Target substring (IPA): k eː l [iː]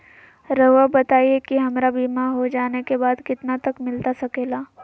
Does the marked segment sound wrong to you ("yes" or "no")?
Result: yes